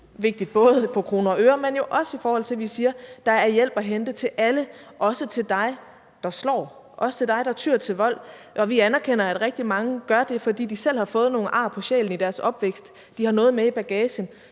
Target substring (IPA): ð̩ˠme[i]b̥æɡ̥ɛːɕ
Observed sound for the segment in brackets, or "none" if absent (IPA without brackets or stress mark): i